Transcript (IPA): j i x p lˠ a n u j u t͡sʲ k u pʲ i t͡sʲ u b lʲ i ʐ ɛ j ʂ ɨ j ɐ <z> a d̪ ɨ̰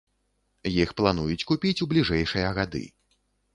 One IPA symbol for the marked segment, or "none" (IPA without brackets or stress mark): ɣ